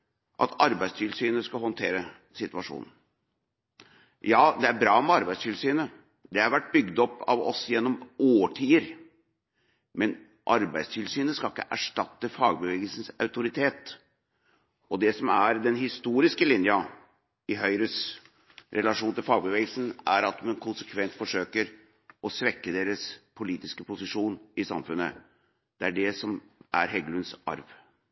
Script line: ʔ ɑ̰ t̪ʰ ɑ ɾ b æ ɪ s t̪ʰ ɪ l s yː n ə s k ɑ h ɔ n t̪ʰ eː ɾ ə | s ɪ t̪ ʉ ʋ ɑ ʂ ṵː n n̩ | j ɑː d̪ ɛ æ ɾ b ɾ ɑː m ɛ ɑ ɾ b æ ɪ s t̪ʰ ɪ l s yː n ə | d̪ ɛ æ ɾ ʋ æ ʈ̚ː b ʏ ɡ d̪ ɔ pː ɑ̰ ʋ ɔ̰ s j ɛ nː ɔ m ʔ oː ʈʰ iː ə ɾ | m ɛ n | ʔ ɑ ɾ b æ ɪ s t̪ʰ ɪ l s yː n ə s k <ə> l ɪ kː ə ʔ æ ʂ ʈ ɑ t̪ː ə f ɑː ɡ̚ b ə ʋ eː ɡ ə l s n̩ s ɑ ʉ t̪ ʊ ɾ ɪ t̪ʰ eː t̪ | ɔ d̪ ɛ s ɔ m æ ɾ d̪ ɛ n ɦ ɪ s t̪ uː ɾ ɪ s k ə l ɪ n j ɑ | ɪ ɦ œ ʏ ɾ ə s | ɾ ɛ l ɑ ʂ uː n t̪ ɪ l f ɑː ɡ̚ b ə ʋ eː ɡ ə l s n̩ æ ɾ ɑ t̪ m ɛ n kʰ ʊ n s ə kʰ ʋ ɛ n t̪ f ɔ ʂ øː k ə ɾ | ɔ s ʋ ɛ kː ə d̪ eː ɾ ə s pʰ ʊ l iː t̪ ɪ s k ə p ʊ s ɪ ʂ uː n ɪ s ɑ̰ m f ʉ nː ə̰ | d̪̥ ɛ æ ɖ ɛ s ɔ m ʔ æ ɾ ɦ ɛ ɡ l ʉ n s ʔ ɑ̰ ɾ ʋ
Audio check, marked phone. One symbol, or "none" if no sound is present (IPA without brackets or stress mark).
ɑ